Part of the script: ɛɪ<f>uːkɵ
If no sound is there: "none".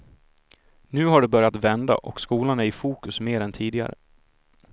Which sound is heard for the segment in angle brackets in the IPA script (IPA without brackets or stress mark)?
f